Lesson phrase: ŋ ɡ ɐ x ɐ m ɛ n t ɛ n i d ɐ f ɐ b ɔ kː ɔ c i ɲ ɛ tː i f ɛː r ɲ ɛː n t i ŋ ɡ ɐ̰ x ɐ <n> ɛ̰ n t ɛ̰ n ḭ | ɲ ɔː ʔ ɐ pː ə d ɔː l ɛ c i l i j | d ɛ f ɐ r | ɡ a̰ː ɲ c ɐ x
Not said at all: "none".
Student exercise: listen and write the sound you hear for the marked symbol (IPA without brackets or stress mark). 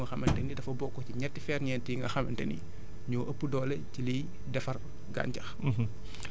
m